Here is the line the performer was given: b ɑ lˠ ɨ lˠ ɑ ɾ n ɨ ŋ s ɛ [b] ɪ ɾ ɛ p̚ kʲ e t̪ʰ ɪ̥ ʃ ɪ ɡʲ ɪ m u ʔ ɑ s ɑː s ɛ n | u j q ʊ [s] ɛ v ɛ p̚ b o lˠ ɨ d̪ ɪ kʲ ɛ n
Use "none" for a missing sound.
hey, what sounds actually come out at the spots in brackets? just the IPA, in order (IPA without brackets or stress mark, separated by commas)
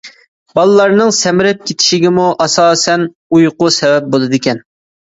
m, s